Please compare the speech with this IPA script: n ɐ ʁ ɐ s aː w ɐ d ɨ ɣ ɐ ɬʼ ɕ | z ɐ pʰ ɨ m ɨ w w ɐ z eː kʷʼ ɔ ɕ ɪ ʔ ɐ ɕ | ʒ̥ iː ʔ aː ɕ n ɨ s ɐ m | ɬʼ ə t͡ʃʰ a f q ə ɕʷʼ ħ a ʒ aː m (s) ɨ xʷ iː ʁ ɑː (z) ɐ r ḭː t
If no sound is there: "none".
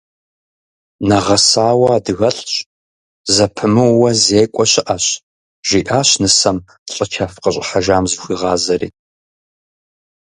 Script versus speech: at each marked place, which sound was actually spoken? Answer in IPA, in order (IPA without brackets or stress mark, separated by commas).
z, z